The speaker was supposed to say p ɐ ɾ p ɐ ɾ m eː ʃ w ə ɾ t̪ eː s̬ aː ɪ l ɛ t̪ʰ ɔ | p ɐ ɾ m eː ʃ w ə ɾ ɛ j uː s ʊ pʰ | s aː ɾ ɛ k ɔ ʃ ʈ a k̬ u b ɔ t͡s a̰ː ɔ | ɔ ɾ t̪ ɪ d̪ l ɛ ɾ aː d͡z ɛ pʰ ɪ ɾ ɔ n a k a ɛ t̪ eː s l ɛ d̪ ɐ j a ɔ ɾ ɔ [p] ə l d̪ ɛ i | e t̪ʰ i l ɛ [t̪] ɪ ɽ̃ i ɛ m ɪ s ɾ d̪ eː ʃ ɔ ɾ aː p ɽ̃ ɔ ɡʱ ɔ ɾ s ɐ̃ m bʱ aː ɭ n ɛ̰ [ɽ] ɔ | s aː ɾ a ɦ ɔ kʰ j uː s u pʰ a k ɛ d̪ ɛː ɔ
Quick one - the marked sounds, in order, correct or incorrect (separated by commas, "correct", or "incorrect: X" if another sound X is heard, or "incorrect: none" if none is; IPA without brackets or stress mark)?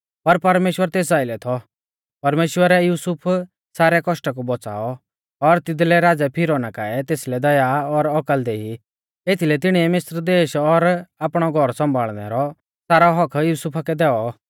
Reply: incorrect: k, correct, incorrect: ɾ